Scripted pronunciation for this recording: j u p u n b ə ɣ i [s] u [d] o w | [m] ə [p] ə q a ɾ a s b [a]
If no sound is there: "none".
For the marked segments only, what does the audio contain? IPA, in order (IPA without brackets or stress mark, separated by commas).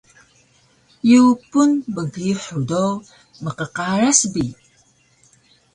ħ, d, m, q, i